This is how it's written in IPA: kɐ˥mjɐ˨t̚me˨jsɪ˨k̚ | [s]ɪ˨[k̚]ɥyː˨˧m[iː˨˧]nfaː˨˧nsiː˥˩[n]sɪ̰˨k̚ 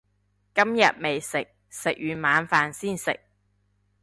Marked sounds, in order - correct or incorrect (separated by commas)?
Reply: correct, correct, incorrect, correct